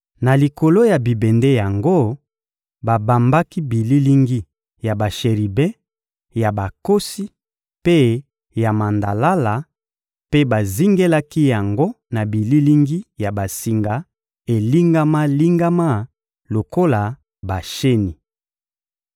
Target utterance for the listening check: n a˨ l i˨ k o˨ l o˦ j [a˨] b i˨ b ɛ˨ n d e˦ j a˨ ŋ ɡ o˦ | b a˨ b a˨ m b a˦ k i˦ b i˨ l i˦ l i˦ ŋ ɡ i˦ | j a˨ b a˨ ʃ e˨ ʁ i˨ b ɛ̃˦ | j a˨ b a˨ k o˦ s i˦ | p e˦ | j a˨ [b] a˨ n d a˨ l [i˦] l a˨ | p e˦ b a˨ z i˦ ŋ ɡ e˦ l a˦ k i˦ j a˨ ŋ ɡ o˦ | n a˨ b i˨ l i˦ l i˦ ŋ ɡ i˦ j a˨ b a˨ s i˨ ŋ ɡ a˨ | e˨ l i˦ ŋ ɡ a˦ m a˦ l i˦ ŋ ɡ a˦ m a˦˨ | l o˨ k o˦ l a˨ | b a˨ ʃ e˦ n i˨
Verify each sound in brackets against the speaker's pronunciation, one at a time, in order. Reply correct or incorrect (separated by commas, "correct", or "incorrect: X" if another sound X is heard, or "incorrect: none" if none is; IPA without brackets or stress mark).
correct, incorrect: m, incorrect: a˦